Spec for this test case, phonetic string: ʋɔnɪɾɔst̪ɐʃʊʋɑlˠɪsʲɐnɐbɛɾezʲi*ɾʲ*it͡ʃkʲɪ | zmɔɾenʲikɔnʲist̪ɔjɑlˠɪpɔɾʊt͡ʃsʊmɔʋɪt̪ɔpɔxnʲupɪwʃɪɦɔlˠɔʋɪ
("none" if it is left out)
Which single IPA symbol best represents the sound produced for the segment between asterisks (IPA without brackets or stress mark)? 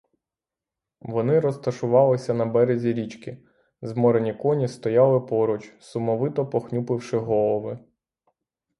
ɾʲ